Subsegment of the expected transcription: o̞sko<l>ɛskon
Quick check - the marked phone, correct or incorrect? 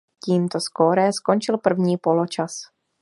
incorrect